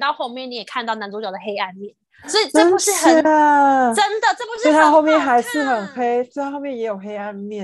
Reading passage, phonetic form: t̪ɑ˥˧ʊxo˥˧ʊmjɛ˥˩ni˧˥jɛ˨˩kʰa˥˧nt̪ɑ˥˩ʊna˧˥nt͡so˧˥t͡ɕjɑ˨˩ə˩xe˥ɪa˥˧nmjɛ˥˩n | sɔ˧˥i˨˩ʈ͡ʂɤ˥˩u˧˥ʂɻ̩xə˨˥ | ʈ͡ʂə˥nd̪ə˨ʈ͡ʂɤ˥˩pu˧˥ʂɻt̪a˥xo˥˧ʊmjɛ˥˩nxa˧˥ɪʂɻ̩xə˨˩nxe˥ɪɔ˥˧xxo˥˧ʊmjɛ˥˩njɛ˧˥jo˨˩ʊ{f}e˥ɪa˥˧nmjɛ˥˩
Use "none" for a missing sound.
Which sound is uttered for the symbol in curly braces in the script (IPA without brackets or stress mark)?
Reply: x